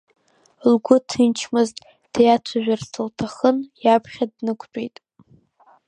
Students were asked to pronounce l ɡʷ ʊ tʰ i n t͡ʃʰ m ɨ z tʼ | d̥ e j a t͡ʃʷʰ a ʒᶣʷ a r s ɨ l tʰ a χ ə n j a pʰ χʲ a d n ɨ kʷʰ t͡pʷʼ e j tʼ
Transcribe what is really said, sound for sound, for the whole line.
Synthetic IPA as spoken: l ɡʷ ʊ tʰ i n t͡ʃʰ m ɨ z tʼ | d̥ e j a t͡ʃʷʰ a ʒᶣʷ a r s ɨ l tʰ a χ ə n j a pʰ χʲ a d n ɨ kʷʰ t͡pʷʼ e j tʼ